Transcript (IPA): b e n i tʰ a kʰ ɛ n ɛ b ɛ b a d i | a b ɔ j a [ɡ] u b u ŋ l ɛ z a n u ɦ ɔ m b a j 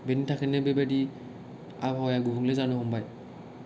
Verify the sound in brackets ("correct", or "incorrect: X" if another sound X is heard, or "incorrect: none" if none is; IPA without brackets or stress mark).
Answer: correct